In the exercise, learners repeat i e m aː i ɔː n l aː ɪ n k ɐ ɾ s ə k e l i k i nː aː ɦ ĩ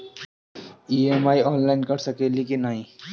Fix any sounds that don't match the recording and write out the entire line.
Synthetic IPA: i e m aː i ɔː n l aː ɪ n k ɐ ɾ s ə k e l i k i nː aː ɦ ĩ

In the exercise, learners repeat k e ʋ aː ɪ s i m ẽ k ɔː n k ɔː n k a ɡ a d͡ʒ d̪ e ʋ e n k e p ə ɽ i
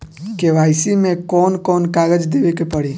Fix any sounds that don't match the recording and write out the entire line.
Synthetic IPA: k e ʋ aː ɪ s i m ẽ k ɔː n k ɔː n k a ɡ ə d͡ʒ d̪ e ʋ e k e p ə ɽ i

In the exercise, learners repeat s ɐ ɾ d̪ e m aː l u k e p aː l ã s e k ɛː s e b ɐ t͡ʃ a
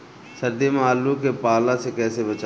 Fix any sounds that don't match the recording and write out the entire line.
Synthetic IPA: s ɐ ɾ d̪ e m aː l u k e p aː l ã s e k ɛː s e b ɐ t͡ʃ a

